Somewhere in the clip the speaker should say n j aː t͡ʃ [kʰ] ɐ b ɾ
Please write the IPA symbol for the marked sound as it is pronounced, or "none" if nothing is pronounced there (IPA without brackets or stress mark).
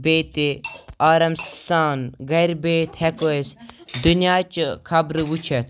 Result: kʰ